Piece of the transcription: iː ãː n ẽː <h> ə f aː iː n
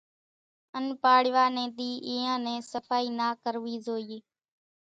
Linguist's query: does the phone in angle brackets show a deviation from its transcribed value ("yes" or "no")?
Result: yes